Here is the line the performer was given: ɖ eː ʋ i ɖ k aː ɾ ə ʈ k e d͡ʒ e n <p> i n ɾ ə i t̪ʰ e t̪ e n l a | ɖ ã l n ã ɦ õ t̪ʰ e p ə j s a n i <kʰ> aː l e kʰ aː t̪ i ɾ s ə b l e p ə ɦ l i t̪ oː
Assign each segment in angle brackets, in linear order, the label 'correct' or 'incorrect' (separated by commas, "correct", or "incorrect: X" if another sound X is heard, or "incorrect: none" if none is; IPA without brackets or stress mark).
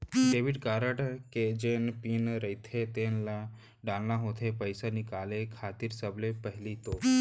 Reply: correct, incorrect: k